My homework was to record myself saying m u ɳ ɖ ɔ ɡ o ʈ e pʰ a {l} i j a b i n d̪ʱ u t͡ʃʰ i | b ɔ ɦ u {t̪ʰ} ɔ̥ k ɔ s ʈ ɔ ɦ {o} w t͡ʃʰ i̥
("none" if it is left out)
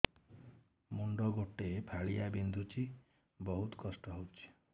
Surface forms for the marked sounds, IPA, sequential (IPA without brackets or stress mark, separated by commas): ɭ, t̪, o